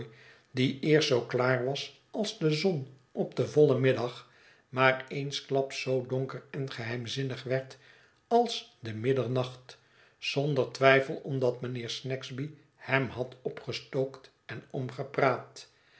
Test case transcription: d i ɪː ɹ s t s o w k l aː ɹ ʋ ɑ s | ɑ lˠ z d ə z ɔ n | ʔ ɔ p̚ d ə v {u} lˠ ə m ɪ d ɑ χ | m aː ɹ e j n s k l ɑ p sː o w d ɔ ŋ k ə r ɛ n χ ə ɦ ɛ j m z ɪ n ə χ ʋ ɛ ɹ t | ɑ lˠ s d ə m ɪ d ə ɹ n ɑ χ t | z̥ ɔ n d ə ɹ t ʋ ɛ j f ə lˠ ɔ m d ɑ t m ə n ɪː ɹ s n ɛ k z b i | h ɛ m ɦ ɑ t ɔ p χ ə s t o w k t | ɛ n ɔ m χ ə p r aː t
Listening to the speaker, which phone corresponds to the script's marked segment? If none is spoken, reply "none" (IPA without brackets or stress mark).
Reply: ɔ